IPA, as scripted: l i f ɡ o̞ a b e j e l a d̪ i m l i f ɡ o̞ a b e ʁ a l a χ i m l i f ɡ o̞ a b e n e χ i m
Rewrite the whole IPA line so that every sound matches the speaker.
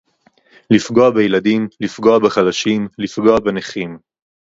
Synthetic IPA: l i f ɡ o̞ a b e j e l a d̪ i m l i f ɡ o̞ a b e χ a l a ʃ i m l i f ɡ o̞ a b e n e χ i m